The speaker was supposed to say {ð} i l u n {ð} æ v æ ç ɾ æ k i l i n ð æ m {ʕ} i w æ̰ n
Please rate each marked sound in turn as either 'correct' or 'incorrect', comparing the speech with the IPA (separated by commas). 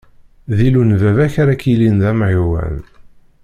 correct, incorrect, correct